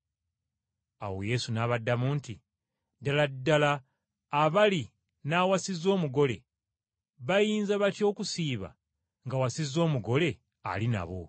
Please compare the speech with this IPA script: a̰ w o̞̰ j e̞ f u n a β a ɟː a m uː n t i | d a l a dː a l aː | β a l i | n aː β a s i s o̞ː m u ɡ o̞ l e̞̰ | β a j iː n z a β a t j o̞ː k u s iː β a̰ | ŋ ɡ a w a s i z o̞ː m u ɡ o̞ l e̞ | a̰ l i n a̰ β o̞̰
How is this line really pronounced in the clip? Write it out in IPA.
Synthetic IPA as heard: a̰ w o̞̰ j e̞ s u n a β a dː a m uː n t i | d a l a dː a l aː | β a l i | n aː w a s i z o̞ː m u ɡ o̞ l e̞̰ | β a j iː n z a β a t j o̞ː k u s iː β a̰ | ŋ ɡ a w a s i z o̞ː m u ɡ o̞ l e̞ | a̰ l i n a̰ β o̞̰